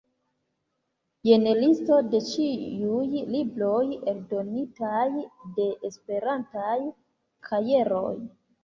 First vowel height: mid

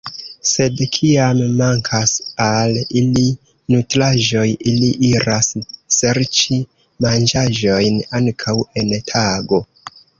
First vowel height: mid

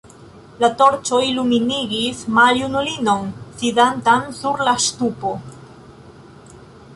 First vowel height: low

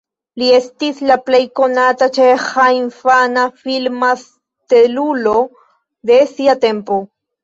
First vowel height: high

